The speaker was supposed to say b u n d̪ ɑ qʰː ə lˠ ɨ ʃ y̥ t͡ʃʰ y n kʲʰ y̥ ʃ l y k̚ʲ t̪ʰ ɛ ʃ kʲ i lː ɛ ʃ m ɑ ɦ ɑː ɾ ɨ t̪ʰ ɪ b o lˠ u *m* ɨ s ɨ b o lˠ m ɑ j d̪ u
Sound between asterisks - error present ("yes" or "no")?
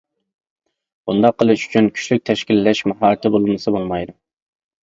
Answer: no